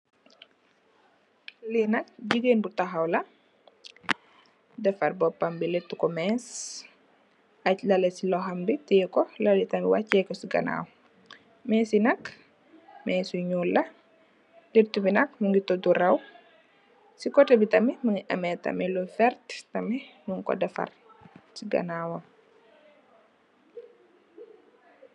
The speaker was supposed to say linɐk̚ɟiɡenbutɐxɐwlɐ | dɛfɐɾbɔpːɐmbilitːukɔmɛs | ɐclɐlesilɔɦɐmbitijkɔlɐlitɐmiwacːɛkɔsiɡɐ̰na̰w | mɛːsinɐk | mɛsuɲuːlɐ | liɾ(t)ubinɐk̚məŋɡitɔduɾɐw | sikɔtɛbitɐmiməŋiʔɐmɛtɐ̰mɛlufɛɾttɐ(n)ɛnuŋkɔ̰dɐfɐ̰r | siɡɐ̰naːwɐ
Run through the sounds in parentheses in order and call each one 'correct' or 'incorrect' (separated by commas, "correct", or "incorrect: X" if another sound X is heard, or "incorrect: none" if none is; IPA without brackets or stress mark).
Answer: correct, incorrect: m